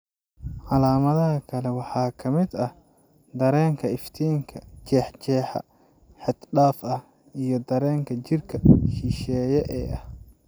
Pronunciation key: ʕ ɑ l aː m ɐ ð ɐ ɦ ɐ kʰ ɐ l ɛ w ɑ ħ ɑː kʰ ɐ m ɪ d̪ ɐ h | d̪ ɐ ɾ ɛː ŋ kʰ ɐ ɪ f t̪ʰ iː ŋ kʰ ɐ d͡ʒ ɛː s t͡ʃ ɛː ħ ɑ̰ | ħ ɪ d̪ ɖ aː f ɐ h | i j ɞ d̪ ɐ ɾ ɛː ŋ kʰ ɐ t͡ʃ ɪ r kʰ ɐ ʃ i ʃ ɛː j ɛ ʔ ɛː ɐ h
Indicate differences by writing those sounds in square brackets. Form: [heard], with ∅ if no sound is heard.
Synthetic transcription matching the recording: ʕ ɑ l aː m ɐ ð ɐ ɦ ɐ kʰ ɐ l ɛ w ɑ ħ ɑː kʰ ɐ m ɪ d̪ ɐ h | d̪ ɐ ɾ ɛː ŋ kʰ ɐ ɪ f t̪ʰ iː ŋ kʰ ɐ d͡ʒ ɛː [ħ] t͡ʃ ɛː ħ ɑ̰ | ħ ɪ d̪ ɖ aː f ɐ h | i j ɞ d̪ ɐ ɾ ɛː ŋ kʰ ɐ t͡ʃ ɪ r kʰ ɐ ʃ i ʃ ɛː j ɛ ʔ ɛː ɐ h